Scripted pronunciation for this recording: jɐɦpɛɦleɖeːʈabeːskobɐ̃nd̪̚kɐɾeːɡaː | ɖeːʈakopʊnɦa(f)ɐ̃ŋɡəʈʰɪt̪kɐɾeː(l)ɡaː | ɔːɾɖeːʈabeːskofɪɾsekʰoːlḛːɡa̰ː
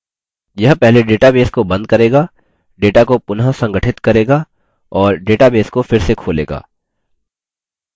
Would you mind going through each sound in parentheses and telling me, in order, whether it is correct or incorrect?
incorrect, incorrect

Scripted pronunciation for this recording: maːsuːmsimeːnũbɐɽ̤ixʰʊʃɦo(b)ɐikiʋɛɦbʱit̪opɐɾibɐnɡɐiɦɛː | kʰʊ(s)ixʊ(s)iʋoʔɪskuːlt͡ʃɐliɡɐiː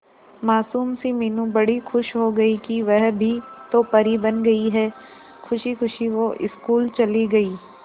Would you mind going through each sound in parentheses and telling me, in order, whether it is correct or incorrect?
incorrect, incorrect, incorrect

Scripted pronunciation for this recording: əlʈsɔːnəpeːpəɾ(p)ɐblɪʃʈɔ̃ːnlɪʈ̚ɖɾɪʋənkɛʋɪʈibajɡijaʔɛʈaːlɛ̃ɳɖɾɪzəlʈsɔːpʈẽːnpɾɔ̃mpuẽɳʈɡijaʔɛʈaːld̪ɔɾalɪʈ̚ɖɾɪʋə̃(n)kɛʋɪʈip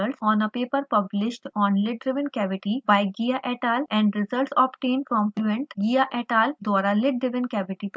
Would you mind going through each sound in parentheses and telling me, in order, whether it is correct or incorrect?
correct, correct

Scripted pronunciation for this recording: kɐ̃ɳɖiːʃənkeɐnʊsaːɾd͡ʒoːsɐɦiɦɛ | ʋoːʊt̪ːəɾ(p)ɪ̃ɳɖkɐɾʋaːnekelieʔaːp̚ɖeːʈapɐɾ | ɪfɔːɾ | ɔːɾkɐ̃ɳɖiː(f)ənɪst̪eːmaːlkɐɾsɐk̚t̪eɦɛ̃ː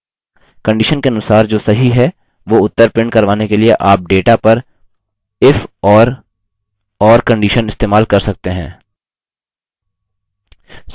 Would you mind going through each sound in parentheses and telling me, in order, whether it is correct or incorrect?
correct, incorrect

